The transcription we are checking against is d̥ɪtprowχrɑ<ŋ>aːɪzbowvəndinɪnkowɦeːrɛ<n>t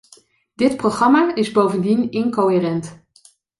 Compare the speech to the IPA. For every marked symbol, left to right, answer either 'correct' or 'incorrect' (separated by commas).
incorrect, correct